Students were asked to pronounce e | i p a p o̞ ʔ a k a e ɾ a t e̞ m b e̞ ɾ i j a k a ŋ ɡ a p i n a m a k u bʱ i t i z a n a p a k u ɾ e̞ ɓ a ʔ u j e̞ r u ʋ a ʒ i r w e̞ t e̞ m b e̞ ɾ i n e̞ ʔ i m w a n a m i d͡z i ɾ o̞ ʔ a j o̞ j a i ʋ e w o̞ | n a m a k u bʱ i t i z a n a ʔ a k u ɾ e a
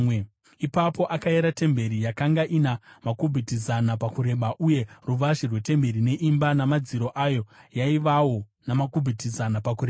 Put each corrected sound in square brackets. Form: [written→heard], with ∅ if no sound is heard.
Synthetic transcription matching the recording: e | i p a p o̞ ʔ a k a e ɾ a t e̞ m b e̞ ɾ i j a k a ŋ ɡ a [p→ʔ] i n a m a k u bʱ i t i z a n a p a k u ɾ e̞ ɓ a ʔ u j e̞ r u ʋ a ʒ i r w e̞ t e̞ m b e̞ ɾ i n e̞ ʔ i m [w→b] a n a m [i→a] d͡z i ɾ o̞ ʔ a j o̞ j a i ʋ [e→a] w o̞ | n a m a k u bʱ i t i z a n a [ʔ→p] a k u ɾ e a